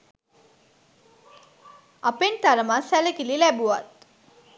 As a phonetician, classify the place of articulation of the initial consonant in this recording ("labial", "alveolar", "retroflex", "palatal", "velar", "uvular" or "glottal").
labial